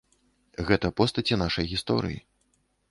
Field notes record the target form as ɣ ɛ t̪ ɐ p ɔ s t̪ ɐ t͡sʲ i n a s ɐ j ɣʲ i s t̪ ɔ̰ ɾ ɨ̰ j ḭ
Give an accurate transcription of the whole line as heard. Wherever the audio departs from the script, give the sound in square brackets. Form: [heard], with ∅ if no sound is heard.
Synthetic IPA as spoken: ɣ ɛ t̪ ɐ p ɔ s t̪ ɐ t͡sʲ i n a [ʂ] ɐ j ɣʲ i s t̪ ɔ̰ ɾ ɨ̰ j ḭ